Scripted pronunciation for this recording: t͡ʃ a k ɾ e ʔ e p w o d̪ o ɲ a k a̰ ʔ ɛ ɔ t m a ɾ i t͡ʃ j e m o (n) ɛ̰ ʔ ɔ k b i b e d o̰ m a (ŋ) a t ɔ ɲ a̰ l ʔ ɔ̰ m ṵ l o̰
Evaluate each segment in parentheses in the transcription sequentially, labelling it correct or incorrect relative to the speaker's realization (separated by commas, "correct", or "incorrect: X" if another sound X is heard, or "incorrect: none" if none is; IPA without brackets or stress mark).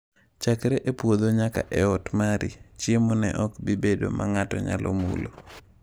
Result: correct, correct